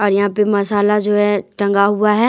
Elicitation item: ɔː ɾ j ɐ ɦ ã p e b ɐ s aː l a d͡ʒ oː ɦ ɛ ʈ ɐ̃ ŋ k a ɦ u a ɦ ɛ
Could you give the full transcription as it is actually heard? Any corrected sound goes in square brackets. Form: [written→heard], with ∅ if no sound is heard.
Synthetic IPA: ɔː ɾ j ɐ ɦ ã p e [b→m] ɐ s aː l a d͡ʒ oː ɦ ɛ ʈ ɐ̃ ŋ [k→ɡ] a ɦ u a ɦ ɛ